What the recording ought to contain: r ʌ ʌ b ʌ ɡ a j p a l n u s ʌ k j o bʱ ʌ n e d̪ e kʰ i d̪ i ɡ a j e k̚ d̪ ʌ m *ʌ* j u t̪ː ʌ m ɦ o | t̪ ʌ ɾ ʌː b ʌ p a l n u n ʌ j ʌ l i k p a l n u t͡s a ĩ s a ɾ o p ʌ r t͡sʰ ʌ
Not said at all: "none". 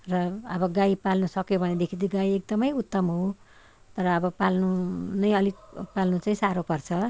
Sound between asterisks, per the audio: ʌ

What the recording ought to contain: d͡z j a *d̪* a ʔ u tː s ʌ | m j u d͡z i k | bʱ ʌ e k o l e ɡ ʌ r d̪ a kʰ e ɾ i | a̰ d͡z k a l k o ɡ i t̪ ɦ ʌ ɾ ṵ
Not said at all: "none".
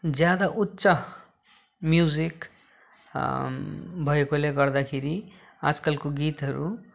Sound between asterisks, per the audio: d̪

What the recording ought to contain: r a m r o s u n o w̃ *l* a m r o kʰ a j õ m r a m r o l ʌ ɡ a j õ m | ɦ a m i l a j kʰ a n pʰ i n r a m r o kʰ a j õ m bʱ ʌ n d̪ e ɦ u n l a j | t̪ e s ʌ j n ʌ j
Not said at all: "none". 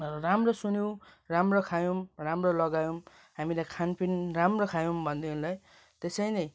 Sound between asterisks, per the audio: r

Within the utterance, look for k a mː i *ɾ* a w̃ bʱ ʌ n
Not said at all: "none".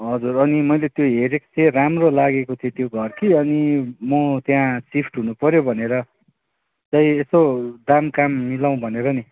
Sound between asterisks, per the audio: l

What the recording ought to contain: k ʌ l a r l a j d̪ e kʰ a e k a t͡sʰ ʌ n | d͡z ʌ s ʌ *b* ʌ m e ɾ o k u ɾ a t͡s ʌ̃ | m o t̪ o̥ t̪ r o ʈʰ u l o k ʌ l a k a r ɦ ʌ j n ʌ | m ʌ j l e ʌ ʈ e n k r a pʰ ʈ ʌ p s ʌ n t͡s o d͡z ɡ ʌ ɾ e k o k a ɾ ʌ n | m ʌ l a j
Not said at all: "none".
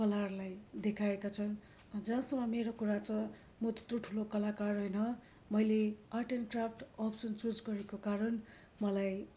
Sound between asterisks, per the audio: m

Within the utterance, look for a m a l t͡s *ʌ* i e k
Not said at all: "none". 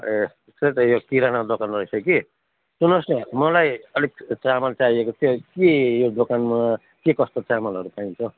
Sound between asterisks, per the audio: a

